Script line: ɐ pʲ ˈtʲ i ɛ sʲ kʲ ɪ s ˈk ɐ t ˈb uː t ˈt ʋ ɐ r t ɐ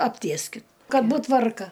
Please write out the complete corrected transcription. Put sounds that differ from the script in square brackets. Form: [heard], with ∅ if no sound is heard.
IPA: ɐ pʲ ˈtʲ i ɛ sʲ kʲ ɪ [t] ˈk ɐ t ˈb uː t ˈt ʋ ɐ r [k] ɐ